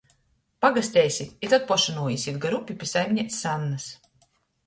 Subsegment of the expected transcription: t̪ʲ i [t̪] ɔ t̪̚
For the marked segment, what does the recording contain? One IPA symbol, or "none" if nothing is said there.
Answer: t̪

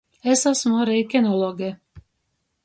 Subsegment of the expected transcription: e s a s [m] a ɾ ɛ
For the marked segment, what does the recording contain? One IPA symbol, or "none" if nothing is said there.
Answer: m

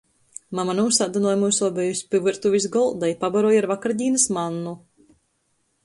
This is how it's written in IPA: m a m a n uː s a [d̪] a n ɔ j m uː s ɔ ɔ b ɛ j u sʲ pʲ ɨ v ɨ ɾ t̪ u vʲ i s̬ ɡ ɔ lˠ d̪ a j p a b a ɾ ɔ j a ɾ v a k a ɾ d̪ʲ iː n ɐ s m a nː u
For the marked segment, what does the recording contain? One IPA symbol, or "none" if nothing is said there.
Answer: d̪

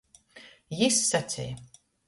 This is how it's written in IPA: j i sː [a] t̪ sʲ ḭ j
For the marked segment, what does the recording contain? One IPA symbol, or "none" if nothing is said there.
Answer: a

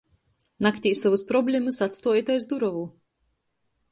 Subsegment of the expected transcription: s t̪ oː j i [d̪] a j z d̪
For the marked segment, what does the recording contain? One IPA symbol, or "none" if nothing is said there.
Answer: t̪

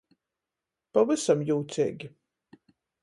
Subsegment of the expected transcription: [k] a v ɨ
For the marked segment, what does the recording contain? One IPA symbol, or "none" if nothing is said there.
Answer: p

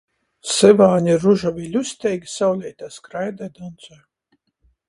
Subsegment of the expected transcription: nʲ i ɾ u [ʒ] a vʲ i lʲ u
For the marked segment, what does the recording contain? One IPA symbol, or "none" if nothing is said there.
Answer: ʒ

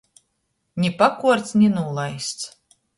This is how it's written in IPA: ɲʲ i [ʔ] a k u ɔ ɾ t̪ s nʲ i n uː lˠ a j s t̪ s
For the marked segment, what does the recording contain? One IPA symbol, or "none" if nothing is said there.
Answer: p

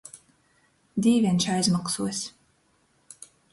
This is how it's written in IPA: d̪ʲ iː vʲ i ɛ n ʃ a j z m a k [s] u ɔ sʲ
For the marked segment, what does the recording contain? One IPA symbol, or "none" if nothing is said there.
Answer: s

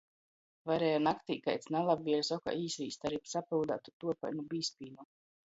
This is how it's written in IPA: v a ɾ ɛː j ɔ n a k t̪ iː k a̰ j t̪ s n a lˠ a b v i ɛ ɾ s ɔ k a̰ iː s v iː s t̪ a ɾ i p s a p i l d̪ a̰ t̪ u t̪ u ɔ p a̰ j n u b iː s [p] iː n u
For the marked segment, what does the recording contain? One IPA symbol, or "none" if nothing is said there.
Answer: p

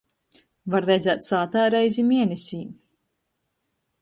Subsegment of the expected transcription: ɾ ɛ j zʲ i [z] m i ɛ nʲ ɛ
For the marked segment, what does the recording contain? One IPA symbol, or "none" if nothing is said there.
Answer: none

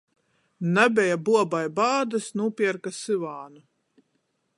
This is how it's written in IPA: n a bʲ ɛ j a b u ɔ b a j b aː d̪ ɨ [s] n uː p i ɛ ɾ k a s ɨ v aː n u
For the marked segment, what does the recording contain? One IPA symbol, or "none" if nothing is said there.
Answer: s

